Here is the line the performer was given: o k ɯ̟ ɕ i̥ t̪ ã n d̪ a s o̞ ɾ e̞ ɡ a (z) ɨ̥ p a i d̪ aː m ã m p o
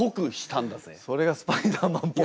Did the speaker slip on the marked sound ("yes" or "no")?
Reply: yes